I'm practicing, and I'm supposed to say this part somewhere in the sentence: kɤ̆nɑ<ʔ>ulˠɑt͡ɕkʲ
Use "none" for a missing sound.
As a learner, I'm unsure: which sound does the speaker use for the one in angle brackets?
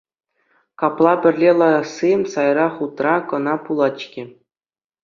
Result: p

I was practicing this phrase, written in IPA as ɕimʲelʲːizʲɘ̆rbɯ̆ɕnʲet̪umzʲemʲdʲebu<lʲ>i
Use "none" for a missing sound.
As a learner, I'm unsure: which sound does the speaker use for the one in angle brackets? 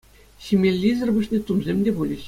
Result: lʲ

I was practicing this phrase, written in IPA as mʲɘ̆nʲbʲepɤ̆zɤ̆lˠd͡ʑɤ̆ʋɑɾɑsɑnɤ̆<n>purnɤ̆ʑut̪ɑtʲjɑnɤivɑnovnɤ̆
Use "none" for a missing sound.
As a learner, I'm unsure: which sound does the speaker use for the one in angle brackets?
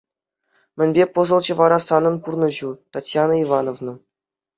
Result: n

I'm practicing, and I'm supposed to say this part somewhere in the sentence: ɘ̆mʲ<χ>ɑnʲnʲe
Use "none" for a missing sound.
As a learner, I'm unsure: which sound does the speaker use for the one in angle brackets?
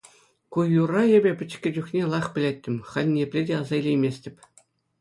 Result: χ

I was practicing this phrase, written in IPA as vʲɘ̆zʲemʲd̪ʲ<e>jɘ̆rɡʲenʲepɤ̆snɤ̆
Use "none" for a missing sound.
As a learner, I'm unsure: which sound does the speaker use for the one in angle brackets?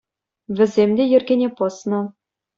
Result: e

